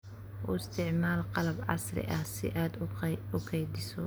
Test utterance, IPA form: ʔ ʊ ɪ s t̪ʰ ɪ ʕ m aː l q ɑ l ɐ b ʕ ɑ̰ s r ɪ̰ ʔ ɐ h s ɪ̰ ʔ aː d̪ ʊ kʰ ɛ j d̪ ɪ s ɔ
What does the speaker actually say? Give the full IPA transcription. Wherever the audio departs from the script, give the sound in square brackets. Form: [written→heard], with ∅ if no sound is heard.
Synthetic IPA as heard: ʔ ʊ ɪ s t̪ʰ ɪ ʕ m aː l q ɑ l ɐ b ʕ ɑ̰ s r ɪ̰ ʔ ɐ h s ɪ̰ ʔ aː d̪ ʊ kʰ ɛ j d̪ ɪ s ɔ